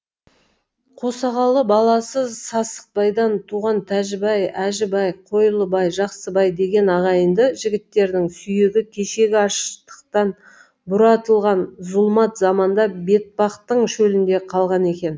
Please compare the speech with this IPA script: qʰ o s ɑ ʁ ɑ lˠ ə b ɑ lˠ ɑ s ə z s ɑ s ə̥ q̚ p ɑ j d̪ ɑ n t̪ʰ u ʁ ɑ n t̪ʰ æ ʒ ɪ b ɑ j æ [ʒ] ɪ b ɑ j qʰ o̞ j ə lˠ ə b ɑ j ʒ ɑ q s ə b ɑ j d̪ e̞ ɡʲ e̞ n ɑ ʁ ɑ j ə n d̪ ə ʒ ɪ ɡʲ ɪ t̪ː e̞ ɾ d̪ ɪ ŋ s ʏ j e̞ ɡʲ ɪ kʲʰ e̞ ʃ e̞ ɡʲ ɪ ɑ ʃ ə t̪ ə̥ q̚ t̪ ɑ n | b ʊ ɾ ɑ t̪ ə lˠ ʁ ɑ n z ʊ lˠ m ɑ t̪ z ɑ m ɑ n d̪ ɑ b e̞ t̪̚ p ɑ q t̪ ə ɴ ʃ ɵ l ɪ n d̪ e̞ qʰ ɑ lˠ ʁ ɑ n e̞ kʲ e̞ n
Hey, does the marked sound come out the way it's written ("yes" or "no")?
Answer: yes